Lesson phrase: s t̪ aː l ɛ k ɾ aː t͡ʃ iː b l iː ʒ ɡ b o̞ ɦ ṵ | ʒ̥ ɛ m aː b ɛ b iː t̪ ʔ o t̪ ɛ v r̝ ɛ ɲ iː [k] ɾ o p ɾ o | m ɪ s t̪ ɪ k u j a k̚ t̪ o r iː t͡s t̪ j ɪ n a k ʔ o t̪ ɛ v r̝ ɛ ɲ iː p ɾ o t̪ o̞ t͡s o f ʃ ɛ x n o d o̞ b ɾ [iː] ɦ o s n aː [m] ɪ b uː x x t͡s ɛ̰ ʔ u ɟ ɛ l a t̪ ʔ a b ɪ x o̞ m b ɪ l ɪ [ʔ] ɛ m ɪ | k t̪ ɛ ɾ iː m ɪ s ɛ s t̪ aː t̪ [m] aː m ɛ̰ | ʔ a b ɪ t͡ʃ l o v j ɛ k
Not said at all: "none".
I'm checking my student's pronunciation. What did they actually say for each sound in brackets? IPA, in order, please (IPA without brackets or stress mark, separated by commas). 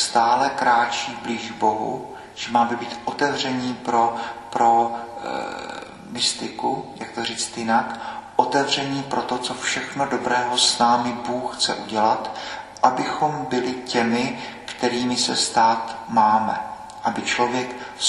p, ɛː, m, c, m